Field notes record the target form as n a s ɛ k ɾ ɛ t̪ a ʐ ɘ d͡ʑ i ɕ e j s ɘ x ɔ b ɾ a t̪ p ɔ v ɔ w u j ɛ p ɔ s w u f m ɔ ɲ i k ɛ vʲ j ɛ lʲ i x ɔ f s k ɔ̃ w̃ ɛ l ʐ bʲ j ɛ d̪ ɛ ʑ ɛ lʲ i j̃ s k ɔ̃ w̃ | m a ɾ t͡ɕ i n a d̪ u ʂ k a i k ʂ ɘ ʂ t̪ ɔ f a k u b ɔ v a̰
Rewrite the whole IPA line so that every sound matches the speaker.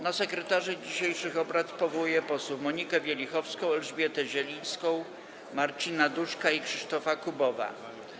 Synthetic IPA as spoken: n a s ɛ k ɾ ɛ t̪ a ʐ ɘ d͡ʑ i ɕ e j ʂ ɘ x ɔ b ɾ a t̪ p ɔ v ɔ w u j ɛ p ɔ s w u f m ɔ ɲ i k ɛ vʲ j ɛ lʲ i x ɔ f s k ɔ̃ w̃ ɛ l ʐ bʲ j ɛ t̪ ɛ ʑ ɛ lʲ i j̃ s k ɔ̃ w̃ | m a ɾ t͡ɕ i n a d̪ u ʂ k a i k ʂ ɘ ʂ t̪ ɔ f a k u b ɔ v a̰